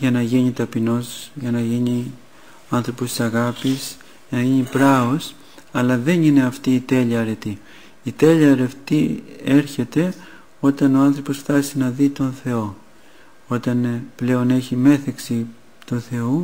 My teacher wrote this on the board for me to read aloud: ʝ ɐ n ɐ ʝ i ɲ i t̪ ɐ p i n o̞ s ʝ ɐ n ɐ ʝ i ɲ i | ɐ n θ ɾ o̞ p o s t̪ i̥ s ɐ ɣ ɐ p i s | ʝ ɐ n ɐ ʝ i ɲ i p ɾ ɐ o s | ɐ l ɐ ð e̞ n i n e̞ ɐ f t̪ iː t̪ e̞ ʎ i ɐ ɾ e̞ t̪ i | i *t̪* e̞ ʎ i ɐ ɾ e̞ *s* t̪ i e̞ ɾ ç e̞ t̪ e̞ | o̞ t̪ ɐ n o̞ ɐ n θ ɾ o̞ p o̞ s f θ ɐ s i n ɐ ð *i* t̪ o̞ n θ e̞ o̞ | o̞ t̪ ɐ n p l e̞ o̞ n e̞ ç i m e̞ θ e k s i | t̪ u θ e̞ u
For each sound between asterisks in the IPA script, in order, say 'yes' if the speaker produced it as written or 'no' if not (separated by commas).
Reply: yes, no, yes